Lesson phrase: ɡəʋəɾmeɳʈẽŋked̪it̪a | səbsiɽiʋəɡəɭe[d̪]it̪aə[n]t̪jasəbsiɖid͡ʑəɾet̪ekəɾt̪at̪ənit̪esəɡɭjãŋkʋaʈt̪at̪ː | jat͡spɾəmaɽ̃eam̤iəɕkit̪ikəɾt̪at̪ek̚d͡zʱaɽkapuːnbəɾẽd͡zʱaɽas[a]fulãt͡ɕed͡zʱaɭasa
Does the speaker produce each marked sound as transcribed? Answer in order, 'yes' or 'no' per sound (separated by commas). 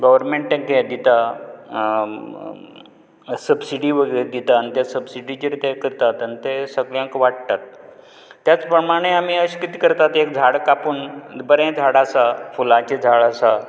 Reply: yes, yes, yes